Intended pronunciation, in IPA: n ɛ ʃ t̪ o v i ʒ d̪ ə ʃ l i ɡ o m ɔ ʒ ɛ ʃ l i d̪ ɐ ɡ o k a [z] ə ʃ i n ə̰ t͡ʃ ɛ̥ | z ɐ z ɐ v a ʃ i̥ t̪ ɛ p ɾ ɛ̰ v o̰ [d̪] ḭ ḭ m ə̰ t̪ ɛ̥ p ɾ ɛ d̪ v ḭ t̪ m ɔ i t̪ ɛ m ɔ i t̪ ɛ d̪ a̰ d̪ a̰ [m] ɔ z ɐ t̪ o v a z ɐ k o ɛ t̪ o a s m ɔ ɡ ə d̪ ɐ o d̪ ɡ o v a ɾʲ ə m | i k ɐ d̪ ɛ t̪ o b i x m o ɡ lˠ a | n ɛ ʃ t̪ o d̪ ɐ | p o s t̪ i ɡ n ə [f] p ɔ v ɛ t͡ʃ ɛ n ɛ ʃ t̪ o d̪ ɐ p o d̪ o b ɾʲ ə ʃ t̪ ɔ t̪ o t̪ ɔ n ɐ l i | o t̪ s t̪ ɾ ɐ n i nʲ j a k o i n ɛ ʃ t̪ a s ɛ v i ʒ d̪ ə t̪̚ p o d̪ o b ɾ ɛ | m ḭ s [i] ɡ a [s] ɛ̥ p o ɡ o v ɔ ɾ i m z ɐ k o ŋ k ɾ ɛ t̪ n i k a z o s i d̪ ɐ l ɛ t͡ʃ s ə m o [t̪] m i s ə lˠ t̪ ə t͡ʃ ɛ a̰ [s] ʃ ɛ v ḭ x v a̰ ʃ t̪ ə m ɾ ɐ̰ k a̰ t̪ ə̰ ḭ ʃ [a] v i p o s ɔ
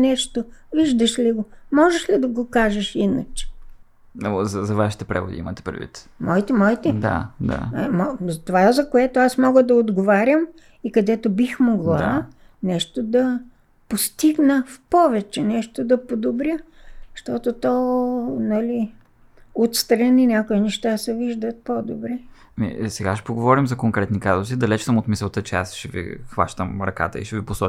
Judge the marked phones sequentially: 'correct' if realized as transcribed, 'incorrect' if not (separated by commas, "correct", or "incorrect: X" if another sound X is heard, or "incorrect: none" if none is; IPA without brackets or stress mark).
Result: incorrect: ʒ, correct, correct, correct, incorrect: ɛ, incorrect: ʃ, correct, correct, incorrect: ɛ